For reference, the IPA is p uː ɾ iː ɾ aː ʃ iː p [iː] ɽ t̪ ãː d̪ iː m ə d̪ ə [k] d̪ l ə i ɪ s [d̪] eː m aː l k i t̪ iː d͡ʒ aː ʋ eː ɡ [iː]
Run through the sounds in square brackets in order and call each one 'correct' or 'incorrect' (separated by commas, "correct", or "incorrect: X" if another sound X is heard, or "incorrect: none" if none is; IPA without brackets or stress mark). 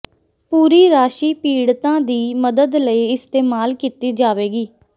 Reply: correct, incorrect: none, incorrect: t̪, correct